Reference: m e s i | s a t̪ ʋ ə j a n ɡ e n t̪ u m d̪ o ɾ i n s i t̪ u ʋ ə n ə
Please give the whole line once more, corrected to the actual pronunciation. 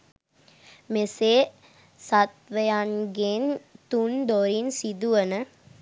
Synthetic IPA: m e s e | s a t̪ ʋ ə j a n ɡ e n t̪ u n d̪ o ɾ i n s i d̪ u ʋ ə n ə